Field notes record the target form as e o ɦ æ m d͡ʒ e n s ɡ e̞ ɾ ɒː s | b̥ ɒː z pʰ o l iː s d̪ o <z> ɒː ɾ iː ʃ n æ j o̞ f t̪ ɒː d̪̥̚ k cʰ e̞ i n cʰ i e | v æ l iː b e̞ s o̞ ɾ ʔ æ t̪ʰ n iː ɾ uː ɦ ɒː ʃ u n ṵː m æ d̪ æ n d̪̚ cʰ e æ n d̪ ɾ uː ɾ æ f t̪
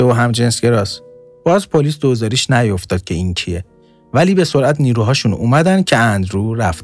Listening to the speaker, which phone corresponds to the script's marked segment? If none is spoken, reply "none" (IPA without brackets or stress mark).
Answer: z